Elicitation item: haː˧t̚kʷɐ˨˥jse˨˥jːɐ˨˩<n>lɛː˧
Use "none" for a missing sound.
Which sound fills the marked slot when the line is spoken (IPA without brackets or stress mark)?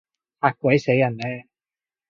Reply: n